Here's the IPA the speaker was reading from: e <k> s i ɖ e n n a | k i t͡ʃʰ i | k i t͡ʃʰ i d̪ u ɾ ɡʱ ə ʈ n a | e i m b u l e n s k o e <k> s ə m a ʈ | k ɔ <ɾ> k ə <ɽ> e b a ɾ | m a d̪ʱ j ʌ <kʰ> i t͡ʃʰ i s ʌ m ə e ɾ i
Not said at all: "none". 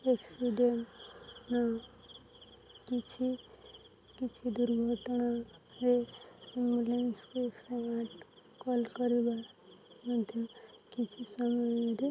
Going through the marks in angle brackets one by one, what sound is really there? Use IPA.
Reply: k, k, l, ɾ, k

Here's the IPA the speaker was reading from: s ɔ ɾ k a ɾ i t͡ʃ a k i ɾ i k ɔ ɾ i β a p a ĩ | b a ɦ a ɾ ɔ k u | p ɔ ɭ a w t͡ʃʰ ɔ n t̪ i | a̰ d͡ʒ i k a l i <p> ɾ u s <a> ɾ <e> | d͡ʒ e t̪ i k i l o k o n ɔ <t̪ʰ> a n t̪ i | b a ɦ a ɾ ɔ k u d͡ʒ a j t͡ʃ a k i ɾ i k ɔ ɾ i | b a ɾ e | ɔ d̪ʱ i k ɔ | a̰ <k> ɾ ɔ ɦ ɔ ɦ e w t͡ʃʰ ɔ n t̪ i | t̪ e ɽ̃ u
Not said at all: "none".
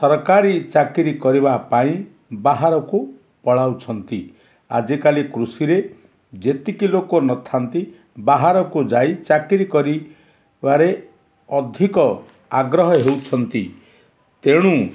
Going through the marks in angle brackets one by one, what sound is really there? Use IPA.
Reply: k, i, e, t̪ʰ, ɡ

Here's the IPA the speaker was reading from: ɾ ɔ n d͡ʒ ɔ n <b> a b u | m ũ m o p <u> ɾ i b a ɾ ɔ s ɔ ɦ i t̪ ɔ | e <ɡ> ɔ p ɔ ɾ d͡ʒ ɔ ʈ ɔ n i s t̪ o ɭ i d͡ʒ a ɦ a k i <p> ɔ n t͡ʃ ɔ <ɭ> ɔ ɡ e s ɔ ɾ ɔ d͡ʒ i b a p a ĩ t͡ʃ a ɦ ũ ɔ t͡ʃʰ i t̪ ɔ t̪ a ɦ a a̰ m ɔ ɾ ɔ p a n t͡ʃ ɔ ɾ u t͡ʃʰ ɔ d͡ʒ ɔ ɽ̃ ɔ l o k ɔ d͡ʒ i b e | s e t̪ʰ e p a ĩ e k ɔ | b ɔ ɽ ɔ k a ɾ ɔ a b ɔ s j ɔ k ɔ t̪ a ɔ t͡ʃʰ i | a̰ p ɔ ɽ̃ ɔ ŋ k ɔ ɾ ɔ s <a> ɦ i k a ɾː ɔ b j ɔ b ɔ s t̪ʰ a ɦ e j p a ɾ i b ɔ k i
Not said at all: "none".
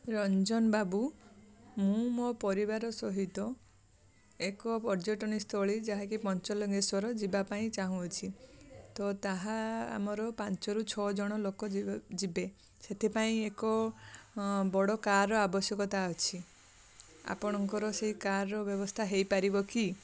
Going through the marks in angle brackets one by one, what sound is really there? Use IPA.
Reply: b, ɔ, k, p, l, e

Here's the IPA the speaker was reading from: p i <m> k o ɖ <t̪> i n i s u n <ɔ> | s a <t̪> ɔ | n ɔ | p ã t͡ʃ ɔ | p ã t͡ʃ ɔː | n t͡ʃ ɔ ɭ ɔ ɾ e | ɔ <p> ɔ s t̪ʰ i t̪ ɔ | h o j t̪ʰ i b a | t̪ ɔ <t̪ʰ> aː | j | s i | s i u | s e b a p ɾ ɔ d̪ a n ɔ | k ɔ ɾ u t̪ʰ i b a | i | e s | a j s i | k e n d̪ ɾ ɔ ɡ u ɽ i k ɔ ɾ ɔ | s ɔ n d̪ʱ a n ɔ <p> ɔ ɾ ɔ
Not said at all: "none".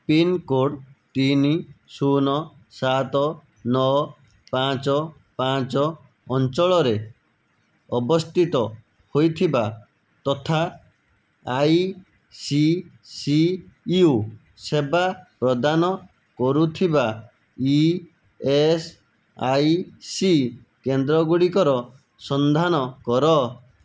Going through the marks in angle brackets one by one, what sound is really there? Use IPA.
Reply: n, t̪, ɔ, t̪, b, t̪ʰ, k

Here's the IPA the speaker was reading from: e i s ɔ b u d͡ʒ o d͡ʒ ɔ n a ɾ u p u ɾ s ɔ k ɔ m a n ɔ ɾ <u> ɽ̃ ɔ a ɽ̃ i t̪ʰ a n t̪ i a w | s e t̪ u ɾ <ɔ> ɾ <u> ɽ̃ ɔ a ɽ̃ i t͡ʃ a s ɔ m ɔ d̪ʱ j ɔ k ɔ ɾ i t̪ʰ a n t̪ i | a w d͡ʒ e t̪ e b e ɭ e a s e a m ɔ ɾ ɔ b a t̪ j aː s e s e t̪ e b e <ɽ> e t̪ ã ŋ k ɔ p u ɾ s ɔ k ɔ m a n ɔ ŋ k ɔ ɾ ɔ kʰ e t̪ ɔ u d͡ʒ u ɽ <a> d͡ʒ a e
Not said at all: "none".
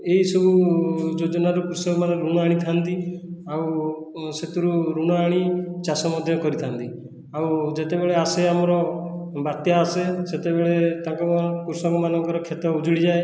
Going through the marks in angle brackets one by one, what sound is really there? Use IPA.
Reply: u, u, u, ɭ, i

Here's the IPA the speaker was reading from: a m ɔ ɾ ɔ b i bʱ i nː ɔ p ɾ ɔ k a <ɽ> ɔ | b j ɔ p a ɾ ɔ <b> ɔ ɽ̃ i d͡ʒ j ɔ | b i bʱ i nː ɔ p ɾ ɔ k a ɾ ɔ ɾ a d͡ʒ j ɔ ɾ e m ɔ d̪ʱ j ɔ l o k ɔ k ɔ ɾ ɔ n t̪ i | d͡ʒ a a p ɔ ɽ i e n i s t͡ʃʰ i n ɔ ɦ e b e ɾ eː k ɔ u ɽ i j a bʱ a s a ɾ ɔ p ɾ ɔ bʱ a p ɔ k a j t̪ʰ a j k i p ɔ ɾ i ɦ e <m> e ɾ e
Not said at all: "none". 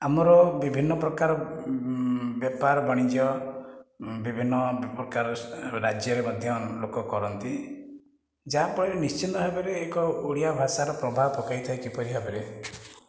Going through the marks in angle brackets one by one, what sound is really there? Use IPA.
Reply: ɾ, b, b

